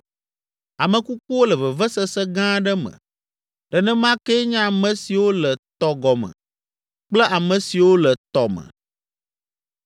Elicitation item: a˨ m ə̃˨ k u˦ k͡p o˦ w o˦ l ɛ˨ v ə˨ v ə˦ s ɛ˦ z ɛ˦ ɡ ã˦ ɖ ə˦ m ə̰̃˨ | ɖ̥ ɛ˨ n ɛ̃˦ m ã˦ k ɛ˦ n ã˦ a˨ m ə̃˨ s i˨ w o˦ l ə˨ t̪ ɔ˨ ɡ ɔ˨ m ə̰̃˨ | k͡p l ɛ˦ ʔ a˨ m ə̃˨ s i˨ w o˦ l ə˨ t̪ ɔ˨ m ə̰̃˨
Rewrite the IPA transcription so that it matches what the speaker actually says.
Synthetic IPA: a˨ m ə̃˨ k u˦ k͡p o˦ w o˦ l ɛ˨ v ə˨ v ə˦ s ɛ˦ s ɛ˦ ɡ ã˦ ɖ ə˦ m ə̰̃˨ | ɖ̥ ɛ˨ n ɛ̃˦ m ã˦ k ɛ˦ ɲ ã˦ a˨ m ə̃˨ s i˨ w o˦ l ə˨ t̪ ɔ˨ ɡ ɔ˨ m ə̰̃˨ | k͡p l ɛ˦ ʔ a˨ m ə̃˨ s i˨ w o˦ l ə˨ t̪ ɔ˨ m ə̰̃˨